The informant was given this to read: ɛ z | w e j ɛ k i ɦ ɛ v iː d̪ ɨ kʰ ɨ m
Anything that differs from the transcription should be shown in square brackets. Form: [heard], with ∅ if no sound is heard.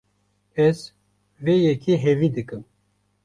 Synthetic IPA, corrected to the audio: ɛ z | [v] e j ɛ k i ɦ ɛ v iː d̪ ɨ [k] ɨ m